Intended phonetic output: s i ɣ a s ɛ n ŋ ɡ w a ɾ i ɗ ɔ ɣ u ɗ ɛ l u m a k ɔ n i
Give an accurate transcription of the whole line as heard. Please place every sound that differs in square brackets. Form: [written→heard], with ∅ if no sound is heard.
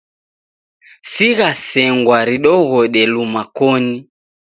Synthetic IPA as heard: s i ɣ a s ɛ [n→∅] ŋ ɡ w a ɾ i ɗ ɔ ɣ [u→ɔ] ɗ ɛ l u m a k ɔ n i